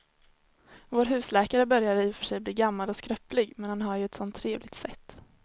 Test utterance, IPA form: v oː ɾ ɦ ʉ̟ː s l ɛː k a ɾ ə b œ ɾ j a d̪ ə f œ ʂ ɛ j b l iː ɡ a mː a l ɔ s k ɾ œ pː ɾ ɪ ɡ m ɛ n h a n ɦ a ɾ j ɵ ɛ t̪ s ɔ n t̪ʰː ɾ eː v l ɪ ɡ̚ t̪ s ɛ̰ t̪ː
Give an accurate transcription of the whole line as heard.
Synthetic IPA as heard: v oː ɾ ɦ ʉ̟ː s l ɛː k a ɾ ə b œ ɾ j a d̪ ə f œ ʂ ɛ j b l iː ɡ a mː a l ɔ s k ɾ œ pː l ɪ ɡ m ɛ n h a n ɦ a ɾ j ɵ ɛ t̪ s ɔ n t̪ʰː ɾ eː v l ɪ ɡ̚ t̪ s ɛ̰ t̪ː